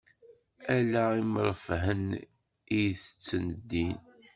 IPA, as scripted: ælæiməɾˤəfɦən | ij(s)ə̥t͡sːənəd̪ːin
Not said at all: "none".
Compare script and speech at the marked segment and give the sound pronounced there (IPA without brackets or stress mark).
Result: θ